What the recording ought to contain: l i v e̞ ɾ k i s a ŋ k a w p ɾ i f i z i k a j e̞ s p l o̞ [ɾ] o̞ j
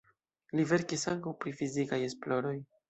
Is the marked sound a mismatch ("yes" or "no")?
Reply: no